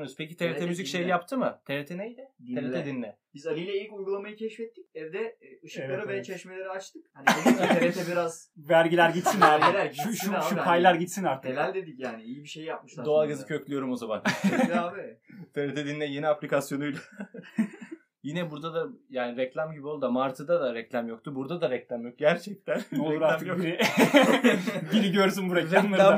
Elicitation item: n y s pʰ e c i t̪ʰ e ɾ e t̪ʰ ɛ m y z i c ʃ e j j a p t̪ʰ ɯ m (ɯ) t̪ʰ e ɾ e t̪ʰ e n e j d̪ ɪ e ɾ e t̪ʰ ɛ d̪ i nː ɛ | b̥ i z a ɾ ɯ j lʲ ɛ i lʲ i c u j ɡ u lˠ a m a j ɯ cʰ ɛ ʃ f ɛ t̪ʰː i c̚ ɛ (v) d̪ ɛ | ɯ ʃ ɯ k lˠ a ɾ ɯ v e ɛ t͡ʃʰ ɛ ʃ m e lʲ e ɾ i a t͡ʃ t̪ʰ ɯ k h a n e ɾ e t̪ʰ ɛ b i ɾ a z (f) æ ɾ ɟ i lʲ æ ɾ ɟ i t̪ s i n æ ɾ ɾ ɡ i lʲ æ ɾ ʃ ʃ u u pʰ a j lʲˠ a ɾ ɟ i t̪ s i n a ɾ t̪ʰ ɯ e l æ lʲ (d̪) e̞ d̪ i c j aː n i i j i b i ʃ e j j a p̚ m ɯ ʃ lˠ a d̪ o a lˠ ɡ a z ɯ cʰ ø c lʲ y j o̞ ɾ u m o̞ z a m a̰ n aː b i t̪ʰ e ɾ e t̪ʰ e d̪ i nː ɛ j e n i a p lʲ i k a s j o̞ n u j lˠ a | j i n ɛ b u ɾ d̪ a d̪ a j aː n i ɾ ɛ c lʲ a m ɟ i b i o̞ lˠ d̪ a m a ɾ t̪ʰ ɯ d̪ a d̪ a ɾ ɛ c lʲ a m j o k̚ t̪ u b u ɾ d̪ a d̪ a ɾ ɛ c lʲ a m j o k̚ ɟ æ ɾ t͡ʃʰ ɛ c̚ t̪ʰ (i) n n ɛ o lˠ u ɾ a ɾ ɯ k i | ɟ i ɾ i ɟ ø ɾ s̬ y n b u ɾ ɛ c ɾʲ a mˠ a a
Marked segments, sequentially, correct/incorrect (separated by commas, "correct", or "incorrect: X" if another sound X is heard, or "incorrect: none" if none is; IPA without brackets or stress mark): correct, correct, incorrect: v, correct, incorrect: æ